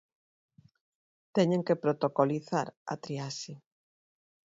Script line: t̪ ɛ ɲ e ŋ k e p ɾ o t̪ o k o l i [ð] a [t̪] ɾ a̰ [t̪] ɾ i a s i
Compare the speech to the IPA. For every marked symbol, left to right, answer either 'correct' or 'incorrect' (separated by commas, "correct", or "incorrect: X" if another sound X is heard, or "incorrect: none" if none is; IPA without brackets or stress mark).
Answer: incorrect: θ, incorrect: none, correct